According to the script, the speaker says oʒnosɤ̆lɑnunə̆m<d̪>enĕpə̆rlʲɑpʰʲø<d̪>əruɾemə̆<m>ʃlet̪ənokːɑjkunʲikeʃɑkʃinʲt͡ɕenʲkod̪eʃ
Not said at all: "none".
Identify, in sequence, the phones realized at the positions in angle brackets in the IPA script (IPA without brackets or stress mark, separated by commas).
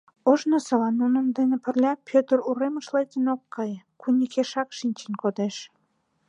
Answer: d̪, t̪, none